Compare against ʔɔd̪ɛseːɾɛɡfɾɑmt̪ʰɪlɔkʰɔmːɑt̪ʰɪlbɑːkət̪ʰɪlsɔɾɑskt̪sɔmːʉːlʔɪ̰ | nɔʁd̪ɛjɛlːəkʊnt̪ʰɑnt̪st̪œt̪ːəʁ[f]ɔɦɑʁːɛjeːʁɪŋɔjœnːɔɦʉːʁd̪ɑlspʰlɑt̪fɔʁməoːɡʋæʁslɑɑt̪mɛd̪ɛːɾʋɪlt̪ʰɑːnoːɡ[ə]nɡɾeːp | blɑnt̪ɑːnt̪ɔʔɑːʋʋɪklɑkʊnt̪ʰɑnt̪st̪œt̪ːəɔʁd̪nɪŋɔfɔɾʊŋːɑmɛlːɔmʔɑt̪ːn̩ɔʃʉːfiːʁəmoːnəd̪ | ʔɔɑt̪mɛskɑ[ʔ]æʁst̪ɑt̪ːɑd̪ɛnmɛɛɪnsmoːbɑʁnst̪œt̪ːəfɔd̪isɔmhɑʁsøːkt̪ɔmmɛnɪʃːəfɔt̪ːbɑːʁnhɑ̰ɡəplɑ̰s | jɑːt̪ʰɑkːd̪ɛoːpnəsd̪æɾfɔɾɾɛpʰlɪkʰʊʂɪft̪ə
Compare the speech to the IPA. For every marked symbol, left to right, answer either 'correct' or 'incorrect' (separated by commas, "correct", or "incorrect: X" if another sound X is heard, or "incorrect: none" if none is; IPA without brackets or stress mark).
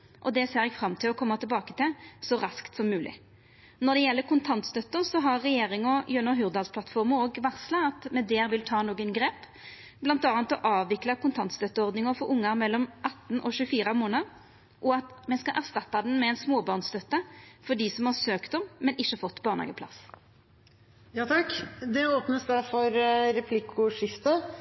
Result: incorrect: s, correct, correct